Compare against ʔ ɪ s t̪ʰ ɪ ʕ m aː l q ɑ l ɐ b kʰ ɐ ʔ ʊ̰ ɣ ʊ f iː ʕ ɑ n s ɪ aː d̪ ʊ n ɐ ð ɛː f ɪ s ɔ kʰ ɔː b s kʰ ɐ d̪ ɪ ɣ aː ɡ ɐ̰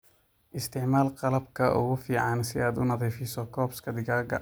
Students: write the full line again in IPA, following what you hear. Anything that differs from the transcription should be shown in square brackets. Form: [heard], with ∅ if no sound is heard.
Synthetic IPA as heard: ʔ ɪ s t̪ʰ ɪ ʕ m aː l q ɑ l ɐ b kʰ ɐ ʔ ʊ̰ ɣ ʊ f iː ʕ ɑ n s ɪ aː d̪ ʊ n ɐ ð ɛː f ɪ s ɔ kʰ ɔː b s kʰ ɐ d̪ ɪ ɣ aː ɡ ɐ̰